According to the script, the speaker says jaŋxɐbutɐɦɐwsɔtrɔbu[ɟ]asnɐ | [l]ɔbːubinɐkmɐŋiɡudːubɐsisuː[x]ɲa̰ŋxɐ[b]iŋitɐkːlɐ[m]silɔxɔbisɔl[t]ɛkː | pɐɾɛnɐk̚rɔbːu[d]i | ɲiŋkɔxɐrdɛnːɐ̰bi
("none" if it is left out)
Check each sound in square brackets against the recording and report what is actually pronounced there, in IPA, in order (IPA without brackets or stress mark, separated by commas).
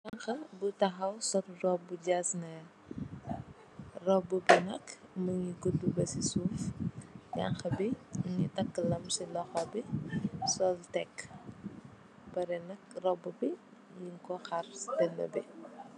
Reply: ɟ, r, f, b, m, t, b